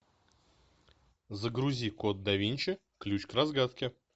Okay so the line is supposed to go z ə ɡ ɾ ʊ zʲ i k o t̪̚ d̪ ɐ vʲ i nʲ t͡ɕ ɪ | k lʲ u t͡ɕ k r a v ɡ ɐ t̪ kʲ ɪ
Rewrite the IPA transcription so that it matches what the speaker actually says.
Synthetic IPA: z ə ɡ ɾ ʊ zʲ i k o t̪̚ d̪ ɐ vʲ i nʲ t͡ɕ ɪ | k lʲ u t͡ɕ k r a z ɡ a t̪ kʲ ɪ

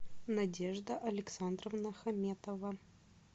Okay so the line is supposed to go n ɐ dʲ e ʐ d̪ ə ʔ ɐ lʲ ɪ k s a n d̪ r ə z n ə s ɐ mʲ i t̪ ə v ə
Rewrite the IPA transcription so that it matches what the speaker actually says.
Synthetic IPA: n ɐ dʲ e ʐ d̪ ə ʔ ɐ lʲ ɪ k s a n d̪ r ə v n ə x ɐ mʲ e t̪ ə v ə

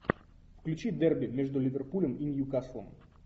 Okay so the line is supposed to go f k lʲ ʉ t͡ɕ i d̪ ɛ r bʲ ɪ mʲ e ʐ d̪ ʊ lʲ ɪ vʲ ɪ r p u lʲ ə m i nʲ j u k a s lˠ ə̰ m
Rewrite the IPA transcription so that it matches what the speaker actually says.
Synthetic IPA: f k lʲ ʉ t͡ɕ i d̪ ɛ r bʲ ɪ mʲ e ʐ d̪ ʊ lʲ ɪ vʲ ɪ r p u lʲ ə m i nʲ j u k a s lˠ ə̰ m

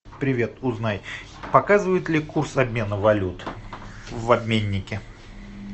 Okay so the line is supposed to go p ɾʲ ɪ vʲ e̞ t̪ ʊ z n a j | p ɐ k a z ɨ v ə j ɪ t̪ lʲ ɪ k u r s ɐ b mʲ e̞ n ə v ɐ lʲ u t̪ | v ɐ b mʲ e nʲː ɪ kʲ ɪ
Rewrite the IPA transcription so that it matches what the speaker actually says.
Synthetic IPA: p ɾʲ ɪ vʲ e̞ t̪ ʊ z n a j | p ɐ k a z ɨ v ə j ɪ t̪ lʲ ɪ k u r s ɐ b mʲ e̞ n ə v ɐ lʲ u t̪ | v ɐ b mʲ e nʲː ɪ kʲ ɪ

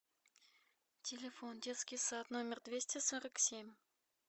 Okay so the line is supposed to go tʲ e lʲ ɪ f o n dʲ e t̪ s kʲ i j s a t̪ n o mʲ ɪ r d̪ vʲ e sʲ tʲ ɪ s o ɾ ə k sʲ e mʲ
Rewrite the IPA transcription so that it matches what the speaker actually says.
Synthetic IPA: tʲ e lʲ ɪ f o n dʲ e t̪ s kʲ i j s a t̪ n o mʲ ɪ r d̪ vʲ e sʲ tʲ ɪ s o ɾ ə k sʲ e mʲ

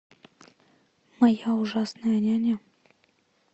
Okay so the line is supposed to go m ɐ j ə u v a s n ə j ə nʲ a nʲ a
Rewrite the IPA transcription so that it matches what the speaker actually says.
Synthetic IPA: m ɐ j a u ʐ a s n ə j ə nʲ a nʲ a

